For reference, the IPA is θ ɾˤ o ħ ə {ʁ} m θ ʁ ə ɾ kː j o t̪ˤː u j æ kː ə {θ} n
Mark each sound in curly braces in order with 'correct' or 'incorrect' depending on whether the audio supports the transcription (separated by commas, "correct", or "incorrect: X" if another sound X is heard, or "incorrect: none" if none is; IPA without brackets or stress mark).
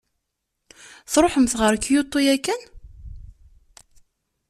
incorrect: none, incorrect: none